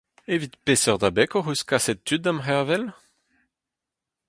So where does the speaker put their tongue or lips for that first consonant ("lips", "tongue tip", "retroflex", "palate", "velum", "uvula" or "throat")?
lips